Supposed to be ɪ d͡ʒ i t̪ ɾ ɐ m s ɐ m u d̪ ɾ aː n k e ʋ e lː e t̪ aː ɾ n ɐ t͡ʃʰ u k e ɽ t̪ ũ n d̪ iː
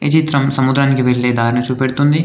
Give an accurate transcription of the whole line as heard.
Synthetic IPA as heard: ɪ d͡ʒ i t̪ ɾ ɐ m s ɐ m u d̪ ɾ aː n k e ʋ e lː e d̪ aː ɾ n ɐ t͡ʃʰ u p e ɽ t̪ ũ n d̪ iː